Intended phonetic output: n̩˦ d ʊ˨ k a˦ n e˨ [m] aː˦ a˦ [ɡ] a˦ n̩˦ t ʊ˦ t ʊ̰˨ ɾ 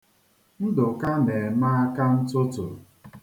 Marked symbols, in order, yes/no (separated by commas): yes, no